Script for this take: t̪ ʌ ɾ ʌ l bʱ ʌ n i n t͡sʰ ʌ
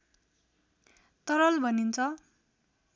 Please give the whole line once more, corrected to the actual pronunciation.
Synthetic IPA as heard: t̪ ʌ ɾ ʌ l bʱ ʌ n i n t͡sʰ ʌ